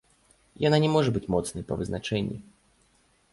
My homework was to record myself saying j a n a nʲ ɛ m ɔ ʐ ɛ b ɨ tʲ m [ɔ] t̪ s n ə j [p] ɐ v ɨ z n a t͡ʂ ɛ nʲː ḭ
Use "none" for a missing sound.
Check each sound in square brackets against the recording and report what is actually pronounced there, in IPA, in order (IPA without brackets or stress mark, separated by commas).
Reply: ɔ, p